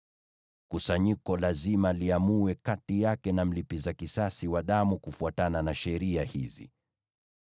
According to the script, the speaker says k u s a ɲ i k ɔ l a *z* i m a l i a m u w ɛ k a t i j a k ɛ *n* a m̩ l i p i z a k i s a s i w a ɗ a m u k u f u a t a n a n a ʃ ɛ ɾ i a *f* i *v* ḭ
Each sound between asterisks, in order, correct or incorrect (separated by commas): correct, correct, incorrect, incorrect